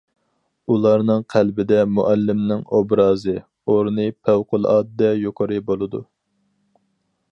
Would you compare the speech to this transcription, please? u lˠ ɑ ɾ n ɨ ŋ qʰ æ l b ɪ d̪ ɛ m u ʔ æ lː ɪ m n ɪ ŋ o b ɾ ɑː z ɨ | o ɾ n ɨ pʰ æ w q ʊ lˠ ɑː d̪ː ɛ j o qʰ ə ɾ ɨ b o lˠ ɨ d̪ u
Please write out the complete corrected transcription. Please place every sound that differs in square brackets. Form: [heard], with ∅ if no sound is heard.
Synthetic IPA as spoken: u lˠ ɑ ɾ n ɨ ŋ qʰ æ l b ɪ d̪ ɛ m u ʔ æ lː ɪ m n ɪ ŋ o b ɾ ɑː z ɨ | o ɾ n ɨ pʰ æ w q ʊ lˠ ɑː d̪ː ɛ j o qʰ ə ɾ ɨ b o lˠ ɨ d̪ u